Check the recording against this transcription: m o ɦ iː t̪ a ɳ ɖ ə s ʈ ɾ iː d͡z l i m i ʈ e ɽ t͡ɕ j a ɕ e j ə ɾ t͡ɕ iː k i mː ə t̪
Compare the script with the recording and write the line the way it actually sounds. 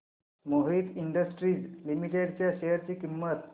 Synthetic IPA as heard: m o ɦ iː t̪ i ɳ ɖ ə s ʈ ɾ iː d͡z l i m i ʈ e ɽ t͡ɕ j a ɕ e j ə ɾ t͡ɕ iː k i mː ə t̪

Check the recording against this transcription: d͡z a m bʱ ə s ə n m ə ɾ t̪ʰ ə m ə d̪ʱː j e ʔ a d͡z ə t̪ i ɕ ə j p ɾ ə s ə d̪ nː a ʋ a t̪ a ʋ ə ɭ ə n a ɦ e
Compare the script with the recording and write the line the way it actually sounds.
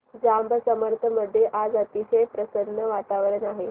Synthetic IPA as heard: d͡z a m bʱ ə s ə m ə ɾ t̪ʰ ə m ə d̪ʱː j e ʔ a d͡z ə t̪ i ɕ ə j p ɾ ə s ə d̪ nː ə ʋ a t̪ a ʋ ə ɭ ə n a ɦ e

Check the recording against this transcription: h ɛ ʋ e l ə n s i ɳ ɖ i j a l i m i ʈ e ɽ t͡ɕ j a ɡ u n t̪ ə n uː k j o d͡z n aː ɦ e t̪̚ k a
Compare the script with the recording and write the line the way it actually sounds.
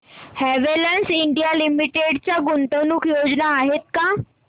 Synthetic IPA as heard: h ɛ ʋ e l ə n s i ɳ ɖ i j a l i m i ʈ e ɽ t͡ɕ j a ɡ u n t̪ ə n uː k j o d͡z n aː ɦ e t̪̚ k a

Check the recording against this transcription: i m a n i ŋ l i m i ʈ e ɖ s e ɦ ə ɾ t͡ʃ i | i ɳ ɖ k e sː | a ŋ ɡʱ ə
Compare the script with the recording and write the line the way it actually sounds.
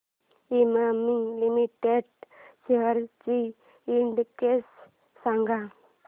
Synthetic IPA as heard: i m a m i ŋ l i m i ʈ e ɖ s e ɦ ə ɾ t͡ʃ i | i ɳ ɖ k e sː | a ŋ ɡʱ a

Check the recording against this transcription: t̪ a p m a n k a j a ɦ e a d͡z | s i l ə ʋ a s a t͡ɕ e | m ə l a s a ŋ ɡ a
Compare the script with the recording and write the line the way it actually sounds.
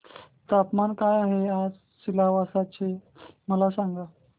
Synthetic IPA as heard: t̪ a p m a n k a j a ɦ e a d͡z | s i l a ʋ a s a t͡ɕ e | m ə l a s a ŋ ɡ a

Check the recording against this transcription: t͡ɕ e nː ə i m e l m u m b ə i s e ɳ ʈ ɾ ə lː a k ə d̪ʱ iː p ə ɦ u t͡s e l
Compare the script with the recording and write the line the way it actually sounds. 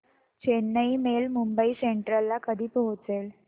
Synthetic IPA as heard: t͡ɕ e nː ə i m e l m u m b ə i s e ɳ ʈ ɾ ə lː a k ə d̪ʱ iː p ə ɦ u t͡s e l

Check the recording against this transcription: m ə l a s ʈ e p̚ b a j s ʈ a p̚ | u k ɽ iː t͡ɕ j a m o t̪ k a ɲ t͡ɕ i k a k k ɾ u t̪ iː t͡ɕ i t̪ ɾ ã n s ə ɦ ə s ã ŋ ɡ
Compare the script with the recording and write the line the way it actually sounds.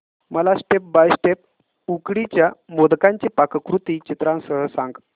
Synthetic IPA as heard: m ə l a s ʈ e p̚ b a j s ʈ e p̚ | u k ɽ i t͡ɕ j a m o d̪ k a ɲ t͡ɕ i p a k k ɾ u t̪ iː t͡ɕ i t̪ ɾ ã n s ə ɦ ə s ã ŋ ɡ

